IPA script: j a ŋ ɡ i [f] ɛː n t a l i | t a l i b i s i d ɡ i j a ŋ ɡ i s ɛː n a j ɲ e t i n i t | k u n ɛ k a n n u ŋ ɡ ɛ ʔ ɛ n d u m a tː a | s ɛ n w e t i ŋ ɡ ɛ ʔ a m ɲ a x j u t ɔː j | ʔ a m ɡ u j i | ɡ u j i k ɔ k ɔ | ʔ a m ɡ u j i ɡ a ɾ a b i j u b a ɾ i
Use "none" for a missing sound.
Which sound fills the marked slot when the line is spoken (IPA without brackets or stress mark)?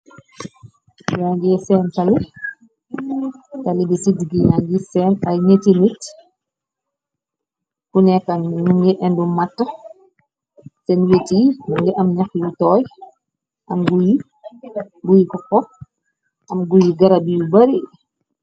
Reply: s